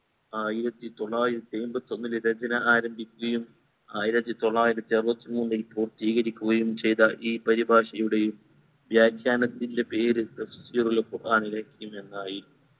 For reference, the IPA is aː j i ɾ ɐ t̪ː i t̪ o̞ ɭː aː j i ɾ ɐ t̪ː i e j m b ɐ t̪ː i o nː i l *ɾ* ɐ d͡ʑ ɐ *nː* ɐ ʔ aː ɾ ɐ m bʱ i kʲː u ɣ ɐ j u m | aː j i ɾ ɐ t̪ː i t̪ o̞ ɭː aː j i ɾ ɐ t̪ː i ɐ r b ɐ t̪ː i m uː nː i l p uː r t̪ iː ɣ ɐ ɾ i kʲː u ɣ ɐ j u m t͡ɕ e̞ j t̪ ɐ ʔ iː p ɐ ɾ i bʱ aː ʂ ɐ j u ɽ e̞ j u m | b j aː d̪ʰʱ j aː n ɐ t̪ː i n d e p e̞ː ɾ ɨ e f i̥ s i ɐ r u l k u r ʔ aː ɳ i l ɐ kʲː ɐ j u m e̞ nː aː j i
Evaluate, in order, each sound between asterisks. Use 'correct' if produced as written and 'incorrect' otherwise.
correct, incorrect: n

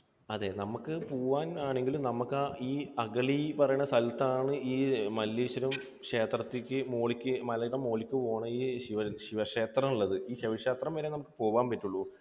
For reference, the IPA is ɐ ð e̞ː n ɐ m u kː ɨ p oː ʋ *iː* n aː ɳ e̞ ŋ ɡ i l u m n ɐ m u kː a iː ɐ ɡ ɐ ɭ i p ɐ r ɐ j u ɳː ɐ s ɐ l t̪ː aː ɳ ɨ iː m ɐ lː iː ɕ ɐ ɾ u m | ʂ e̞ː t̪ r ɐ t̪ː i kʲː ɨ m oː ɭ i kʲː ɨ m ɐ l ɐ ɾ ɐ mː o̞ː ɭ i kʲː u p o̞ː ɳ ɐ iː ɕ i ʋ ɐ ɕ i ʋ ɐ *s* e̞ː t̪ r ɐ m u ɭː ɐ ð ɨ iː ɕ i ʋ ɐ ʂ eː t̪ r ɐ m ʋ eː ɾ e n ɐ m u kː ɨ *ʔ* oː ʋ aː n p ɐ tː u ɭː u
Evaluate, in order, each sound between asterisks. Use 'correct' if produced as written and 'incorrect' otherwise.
incorrect: aː, incorrect: ʂ, incorrect: p

